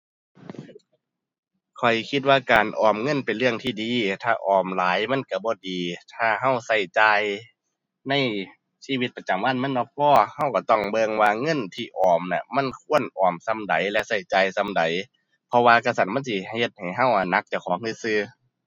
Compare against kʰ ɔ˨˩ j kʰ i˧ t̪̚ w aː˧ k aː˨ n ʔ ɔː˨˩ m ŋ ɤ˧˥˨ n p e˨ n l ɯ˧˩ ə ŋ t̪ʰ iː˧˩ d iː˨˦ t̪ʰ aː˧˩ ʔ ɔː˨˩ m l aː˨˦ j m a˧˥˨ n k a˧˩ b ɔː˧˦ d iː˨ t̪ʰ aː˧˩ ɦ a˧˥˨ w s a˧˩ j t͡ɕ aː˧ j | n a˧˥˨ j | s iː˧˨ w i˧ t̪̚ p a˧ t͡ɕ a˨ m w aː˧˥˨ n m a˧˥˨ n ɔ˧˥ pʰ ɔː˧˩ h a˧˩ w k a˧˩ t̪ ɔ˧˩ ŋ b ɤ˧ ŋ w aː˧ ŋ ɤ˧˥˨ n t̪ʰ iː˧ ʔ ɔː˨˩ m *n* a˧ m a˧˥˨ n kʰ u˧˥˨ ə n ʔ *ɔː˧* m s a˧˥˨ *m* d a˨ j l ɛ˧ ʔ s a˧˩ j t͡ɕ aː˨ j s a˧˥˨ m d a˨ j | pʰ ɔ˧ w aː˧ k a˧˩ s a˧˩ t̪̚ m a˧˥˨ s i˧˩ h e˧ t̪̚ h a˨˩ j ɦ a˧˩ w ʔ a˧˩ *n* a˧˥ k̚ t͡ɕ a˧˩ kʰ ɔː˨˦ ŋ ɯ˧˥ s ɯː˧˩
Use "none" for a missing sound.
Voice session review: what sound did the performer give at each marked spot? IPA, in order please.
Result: n, ɔː˨˩, m, n

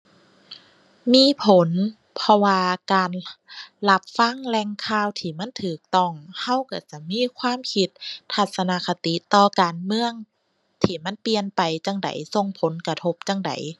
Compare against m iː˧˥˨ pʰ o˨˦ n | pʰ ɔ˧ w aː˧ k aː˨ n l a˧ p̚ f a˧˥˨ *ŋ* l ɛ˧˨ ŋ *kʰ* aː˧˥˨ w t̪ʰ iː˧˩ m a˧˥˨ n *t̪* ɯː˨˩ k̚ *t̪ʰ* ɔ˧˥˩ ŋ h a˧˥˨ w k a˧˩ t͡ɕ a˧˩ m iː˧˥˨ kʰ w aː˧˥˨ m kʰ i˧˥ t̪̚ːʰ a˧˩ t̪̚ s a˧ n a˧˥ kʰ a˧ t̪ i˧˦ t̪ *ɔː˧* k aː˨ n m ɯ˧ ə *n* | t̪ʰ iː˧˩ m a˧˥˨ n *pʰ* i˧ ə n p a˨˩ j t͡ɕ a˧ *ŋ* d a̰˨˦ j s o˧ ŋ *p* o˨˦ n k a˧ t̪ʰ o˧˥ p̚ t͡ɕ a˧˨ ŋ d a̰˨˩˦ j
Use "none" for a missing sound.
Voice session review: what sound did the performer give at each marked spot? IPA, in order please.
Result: ŋ, kʰ, t̪ʰ, t̪, ɔː˧, ŋ, p, ŋ, pʰ

